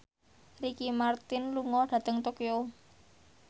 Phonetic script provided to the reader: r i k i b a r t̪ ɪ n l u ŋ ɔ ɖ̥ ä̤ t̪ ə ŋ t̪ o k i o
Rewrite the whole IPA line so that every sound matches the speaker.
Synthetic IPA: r i k i m a r t̪ ɪ n l u ŋ ɔ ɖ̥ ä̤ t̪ ə ŋ t̪ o k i o